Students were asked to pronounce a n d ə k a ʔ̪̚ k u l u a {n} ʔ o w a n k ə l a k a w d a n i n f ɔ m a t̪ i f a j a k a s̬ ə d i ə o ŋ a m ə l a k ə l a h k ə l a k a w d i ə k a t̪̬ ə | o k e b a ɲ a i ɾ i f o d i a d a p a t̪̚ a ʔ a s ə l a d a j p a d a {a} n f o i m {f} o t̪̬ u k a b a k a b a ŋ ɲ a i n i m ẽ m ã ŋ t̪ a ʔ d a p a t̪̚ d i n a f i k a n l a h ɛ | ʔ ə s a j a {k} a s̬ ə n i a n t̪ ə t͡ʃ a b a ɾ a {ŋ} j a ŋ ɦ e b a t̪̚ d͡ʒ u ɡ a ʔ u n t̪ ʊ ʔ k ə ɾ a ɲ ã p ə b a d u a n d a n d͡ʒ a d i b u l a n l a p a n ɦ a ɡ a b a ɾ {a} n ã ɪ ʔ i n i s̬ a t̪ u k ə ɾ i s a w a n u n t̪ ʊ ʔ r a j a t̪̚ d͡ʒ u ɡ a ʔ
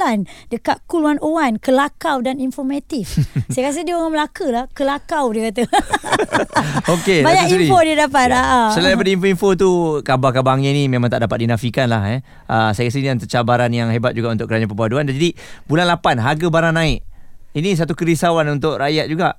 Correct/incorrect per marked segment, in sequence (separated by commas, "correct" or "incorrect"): correct, incorrect, correct, correct, incorrect, correct